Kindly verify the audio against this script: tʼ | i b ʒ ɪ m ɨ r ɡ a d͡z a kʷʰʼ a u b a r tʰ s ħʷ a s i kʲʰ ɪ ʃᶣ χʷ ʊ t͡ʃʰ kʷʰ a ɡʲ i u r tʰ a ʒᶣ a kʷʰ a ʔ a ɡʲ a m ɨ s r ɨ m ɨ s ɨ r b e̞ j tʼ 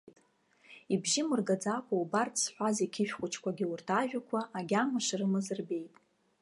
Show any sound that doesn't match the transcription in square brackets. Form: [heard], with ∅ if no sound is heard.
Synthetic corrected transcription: tʼ | i b ʒ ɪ m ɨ r ɡ a d͡z a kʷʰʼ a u b a r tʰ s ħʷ a [z] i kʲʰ ɪ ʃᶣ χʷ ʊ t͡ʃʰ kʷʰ a ɡʲ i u r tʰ a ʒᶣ a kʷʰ a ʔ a ɡʲ a m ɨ [ʂ] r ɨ m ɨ [z] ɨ r b e̞ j tʼ